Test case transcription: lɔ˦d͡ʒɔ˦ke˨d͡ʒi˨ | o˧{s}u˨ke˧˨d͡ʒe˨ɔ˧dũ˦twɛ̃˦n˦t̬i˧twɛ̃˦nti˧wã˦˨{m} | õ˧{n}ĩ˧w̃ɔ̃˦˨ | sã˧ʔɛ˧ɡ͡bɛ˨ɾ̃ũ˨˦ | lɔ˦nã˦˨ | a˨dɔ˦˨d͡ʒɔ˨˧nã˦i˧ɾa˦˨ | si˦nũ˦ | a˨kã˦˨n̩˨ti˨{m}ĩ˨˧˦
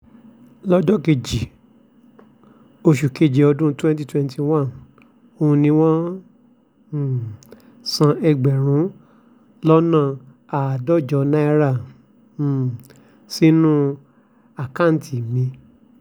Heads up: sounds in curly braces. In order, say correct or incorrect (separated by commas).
incorrect, incorrect, correct, correct